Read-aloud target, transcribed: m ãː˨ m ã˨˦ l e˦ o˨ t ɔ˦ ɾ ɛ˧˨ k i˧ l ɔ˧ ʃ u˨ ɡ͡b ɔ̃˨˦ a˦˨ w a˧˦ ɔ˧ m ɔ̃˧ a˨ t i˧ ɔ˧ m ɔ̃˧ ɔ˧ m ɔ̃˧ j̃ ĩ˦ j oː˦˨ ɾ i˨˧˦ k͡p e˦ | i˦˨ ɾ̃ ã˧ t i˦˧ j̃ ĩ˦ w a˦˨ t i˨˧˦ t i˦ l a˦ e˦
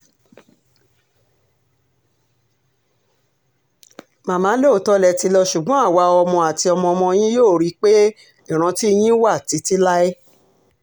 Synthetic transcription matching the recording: m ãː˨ m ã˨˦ l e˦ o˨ t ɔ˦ l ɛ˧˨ t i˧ l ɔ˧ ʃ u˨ ɡ͡b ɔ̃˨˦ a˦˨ w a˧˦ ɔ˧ m ɔ̃˧ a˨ t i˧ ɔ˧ m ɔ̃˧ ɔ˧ m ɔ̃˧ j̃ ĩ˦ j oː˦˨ ɾ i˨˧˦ k͡p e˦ | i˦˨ ɾ̃ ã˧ t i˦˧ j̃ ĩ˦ w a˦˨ t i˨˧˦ t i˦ l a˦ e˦